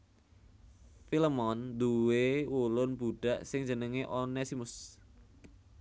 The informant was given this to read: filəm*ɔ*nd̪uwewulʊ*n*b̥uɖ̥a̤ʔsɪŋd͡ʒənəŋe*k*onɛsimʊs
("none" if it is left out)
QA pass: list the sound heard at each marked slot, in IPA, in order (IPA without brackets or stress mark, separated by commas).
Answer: ɔ, n, ʔ